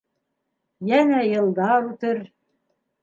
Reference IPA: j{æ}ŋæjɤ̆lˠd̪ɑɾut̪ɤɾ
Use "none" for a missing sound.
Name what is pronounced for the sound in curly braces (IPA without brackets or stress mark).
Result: æ